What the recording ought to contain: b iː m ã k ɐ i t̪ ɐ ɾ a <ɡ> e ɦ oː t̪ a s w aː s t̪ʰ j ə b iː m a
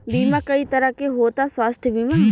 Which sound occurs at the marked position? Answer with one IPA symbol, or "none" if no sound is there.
k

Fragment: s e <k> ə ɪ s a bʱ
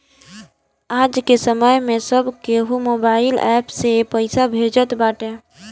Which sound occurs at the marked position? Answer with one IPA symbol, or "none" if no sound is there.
p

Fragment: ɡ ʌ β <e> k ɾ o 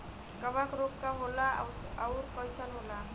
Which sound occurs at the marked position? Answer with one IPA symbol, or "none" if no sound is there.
a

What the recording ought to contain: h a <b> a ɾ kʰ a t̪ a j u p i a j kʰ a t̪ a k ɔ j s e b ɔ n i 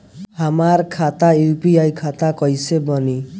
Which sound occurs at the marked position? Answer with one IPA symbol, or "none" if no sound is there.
m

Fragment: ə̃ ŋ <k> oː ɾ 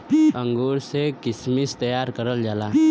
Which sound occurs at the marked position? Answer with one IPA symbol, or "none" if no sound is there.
ɡ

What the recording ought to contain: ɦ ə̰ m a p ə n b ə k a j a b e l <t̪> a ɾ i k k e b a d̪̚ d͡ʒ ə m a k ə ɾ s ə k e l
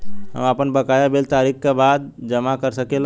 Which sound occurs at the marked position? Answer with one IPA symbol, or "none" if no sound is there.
t̪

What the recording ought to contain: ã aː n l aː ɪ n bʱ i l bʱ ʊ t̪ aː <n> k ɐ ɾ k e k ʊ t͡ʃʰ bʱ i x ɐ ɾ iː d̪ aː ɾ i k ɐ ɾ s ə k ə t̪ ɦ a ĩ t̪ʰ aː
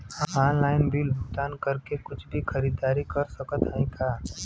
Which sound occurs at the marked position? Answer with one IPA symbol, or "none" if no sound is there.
n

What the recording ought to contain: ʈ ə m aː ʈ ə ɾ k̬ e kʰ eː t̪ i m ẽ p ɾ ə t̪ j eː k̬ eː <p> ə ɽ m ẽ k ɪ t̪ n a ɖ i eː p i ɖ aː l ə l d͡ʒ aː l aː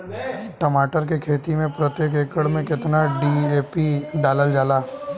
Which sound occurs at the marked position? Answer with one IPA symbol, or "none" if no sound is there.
k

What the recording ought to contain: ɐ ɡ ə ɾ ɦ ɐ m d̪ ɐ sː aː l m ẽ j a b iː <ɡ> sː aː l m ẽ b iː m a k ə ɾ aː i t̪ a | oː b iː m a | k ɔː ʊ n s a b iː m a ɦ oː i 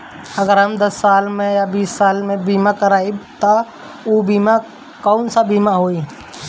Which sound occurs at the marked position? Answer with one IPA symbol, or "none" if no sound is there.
none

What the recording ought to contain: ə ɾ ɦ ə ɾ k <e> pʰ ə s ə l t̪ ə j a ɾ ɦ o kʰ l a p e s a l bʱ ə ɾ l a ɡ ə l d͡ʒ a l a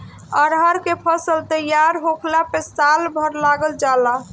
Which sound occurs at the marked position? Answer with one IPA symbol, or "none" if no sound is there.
e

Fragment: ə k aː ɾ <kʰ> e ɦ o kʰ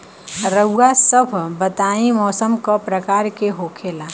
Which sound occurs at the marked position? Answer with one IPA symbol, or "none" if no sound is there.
k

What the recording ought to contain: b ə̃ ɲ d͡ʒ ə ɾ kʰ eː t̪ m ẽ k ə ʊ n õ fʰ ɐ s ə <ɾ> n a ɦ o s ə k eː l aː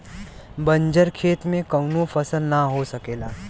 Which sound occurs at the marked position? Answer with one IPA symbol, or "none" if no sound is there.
l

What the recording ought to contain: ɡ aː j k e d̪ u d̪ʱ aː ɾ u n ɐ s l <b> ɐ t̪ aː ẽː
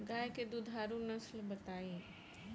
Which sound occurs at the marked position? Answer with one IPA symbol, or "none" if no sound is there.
b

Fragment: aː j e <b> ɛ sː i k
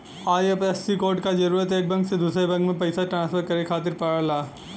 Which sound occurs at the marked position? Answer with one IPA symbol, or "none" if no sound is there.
p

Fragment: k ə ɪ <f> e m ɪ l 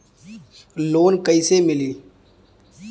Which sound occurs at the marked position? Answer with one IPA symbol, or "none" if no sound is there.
s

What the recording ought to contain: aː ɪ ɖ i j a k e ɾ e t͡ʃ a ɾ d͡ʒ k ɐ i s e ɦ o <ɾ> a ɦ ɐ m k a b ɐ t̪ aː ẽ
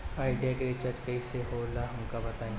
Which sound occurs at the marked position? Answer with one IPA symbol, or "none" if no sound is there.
l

